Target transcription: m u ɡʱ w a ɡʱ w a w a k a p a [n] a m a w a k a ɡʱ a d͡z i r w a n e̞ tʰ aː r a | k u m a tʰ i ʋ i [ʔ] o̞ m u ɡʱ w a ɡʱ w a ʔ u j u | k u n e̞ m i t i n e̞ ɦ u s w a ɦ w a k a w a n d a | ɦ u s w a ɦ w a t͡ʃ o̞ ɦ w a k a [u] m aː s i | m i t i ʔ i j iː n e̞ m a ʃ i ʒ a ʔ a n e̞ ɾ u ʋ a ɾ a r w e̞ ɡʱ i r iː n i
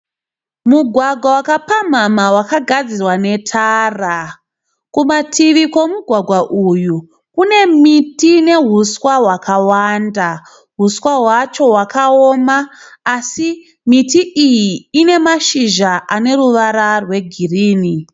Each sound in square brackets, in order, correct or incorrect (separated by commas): incorrect, incorrect, incorrect